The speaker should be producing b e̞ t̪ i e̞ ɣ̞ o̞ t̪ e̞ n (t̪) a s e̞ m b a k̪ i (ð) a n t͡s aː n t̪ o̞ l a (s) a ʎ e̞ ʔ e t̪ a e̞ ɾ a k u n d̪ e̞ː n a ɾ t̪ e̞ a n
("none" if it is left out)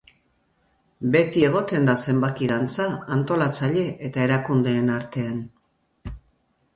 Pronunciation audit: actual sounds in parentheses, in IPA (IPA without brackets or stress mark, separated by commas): d̪, ð, t͡s